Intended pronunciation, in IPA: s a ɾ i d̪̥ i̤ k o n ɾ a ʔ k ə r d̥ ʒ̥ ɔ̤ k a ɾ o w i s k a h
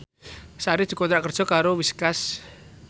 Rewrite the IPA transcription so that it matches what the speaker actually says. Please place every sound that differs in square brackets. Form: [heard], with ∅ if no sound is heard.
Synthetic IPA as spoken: s a ɾ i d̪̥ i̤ k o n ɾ a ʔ k ə r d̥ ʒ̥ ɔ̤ k a ɾ o w i s k a [s]